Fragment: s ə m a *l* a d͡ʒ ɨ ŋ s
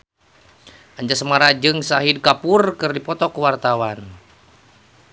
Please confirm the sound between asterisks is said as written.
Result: no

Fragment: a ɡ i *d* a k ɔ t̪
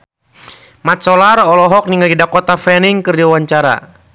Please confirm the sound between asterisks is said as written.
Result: yes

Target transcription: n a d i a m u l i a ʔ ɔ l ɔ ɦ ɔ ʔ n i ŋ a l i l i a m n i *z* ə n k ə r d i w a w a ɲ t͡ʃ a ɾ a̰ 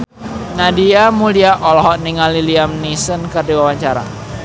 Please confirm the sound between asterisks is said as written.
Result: no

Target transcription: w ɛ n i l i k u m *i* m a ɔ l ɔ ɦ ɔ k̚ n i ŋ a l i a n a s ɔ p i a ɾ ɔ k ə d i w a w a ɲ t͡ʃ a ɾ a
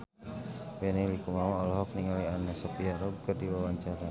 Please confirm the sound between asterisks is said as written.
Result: no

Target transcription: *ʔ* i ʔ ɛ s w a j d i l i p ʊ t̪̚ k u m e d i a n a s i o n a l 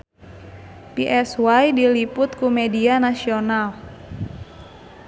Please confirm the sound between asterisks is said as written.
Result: no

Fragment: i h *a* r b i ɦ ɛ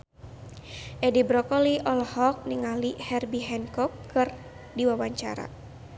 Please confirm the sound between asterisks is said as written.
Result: no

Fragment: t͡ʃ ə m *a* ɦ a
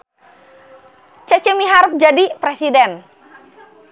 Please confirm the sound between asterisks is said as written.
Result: no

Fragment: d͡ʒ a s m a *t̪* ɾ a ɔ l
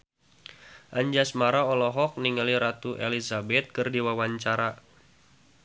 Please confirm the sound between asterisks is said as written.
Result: no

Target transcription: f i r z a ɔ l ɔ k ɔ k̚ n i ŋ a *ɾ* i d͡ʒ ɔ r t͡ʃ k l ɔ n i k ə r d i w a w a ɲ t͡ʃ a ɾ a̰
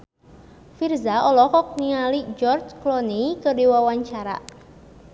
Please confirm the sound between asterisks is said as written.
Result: no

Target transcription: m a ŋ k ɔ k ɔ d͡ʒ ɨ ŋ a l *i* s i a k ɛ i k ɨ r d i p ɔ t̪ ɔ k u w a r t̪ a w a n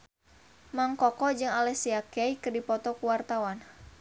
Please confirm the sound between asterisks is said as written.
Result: no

